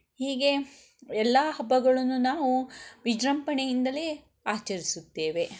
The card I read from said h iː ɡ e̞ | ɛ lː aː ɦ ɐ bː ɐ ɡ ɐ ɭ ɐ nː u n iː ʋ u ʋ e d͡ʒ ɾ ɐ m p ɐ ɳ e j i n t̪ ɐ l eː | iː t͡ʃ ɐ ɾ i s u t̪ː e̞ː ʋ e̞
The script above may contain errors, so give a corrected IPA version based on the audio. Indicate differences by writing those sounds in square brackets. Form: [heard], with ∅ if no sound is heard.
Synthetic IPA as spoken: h iː ɡ e̞ | ɛ lː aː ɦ ɐ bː ɐ ɡ ɐ ɭ ɐ nː u n [aː] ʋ u ʋ [i] d͡ʒ ɾ ɐ m p ɐ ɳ e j i n [d̪] ɐ l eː | [aː] t͡ʃ ɐ ɾ i s u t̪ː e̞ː ʋ e̞